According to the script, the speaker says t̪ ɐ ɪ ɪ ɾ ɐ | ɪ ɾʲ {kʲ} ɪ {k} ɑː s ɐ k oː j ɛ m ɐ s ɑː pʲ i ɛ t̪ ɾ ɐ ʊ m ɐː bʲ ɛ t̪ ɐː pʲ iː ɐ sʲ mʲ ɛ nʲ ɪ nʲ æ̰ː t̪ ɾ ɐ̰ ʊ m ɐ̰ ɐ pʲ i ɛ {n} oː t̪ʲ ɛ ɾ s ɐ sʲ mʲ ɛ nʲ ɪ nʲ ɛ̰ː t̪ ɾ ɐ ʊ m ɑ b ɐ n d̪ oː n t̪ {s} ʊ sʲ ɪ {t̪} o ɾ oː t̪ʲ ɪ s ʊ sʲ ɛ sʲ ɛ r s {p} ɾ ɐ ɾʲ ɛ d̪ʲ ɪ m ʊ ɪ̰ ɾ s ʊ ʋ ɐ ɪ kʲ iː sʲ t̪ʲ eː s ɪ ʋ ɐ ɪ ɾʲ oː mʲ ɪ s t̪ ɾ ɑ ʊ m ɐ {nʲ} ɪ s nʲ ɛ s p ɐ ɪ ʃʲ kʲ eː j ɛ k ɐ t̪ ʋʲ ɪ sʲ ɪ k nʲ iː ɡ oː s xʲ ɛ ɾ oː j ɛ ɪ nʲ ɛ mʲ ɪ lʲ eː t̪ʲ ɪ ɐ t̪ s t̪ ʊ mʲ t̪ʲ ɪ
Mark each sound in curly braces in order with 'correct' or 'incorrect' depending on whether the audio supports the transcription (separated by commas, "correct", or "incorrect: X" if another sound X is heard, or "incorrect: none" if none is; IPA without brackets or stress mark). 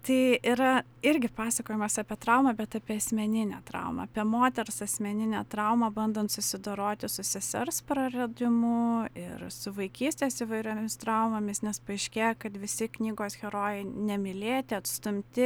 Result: incorrect: ɡʲ, incorrect: p, incorrect: m, correct, incorrect: d̪, correct, incorrect: mʲ